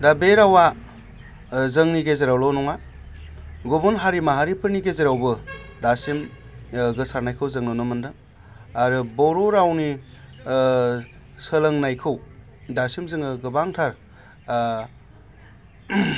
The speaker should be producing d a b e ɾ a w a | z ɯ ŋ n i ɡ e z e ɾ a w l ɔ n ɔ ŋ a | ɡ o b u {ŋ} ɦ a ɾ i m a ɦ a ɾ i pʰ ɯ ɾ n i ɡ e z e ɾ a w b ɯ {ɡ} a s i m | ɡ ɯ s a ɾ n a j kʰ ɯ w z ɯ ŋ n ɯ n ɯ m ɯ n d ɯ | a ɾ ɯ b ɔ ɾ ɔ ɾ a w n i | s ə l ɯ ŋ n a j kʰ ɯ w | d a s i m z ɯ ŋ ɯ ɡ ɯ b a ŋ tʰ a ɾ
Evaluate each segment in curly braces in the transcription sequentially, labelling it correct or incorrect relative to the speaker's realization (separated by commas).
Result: incorrect, incorrect